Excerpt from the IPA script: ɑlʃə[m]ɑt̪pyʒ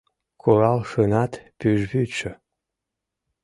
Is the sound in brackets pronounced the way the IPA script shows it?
no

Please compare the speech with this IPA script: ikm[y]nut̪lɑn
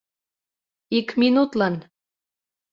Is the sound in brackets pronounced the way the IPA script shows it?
no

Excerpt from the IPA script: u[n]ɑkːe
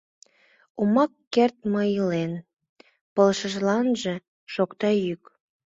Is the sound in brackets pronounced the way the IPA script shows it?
no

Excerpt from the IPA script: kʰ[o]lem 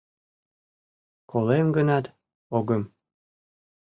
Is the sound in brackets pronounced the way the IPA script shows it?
yes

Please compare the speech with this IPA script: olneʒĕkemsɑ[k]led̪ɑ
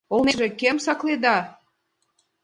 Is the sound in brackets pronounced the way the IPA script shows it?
yes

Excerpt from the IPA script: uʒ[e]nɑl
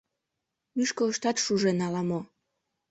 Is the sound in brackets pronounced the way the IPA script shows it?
yes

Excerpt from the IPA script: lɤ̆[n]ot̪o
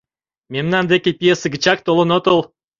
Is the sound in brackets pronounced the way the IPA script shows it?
yes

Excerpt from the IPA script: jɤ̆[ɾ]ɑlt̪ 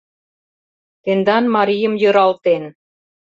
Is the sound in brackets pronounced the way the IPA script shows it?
yes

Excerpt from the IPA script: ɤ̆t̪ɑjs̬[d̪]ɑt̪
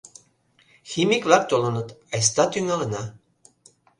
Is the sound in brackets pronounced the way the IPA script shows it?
no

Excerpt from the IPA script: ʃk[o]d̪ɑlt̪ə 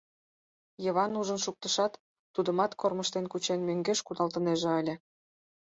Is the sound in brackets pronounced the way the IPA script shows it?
no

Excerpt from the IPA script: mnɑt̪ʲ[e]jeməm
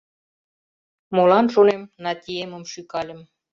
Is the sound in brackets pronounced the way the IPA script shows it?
no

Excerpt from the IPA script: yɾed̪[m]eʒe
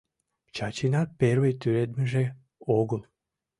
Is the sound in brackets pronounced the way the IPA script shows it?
yes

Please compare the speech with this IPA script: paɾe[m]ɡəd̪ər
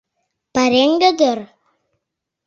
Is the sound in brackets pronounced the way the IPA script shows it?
no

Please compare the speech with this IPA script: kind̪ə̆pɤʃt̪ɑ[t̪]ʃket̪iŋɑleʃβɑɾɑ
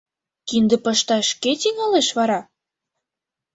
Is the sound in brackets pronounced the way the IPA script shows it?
no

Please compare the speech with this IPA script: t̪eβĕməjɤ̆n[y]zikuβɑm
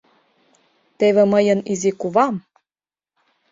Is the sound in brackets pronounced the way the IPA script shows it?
no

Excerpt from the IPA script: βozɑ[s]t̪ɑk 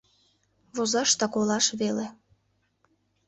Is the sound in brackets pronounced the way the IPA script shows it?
no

